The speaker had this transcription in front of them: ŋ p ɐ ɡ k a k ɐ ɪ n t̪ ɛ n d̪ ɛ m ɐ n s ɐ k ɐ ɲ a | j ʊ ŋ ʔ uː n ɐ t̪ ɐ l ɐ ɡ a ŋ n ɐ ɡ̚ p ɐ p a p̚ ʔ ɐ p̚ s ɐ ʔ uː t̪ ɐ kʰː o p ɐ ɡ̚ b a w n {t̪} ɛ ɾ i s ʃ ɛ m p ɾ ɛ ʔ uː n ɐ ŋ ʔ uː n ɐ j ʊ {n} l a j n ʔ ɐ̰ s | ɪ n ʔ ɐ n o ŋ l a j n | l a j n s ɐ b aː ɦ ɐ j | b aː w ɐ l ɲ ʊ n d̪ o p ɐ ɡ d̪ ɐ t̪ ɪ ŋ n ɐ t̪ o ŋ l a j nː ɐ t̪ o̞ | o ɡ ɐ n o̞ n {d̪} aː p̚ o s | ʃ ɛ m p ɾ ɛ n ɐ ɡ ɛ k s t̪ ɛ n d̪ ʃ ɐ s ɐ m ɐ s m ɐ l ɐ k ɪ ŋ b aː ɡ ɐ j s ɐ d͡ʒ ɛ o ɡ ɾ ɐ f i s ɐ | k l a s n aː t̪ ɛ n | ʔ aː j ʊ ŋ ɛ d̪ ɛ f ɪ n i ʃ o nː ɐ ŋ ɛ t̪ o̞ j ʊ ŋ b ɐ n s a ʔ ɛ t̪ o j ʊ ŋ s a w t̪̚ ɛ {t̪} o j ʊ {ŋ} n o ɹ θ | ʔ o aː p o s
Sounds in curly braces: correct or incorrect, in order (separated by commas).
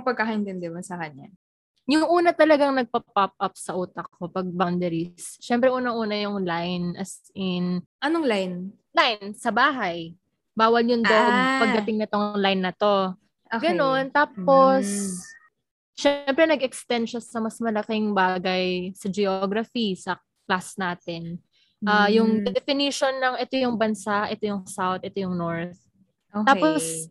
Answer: incorrect, incorrect, incorrect, correct, correct